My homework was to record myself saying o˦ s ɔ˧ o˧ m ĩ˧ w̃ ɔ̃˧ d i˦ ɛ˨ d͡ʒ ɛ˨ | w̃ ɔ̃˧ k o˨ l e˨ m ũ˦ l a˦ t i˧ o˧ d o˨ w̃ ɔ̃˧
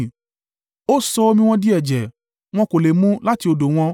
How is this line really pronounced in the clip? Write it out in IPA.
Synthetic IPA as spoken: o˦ s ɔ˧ o˧ m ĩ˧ w̃ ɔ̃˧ d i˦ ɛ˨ d͡ʒ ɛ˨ | w̃ ɔ̃˧ k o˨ l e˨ m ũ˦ l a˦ t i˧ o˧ d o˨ w̃ ɔ̃˧